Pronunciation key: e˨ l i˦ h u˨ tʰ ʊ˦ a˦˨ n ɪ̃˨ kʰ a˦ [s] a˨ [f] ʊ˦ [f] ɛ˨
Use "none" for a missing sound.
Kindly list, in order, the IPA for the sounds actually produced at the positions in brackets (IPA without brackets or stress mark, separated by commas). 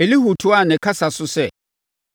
s, s, s